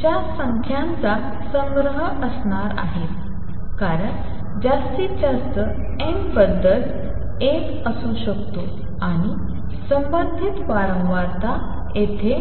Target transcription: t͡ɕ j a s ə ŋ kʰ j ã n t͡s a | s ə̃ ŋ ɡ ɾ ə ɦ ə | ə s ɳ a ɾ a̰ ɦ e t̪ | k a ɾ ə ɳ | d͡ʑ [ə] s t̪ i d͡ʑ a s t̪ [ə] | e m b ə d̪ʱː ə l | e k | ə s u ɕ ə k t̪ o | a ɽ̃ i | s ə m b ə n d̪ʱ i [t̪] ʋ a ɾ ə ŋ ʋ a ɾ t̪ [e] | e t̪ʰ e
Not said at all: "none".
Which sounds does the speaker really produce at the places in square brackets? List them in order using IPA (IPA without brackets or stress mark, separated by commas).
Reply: a, ə, t̪, a